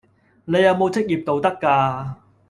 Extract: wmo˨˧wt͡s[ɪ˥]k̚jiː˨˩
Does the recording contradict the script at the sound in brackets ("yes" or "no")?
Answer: no